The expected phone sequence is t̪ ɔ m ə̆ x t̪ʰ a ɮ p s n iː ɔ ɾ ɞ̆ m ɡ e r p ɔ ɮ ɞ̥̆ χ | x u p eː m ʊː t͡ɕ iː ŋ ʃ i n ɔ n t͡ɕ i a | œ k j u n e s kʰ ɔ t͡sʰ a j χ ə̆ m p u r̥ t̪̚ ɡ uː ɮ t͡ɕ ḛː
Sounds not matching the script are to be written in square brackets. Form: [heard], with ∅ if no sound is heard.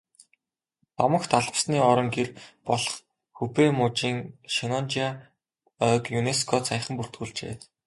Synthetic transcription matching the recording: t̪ ɔ m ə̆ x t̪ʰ a ɮ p s n iː ɔ ɾ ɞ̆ [ŋ] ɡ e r p ɔ ɮ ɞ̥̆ χ | x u p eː m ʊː t͡ɕ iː ŋ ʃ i n ɔ n t͡ɕ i a | œ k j u n e s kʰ ɔ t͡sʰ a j χ ə̆ m p u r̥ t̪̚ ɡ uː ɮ t͡ɕ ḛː